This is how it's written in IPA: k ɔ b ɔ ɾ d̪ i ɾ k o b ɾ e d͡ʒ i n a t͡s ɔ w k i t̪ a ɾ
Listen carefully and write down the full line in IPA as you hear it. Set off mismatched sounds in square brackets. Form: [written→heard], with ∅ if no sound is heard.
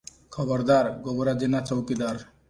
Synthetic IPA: [k→kʰ] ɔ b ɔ ɾ d̪ [i→a] ɾ [k→ɡ] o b ɾ [e→a] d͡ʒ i n a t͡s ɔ w k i [t̪→d̪] a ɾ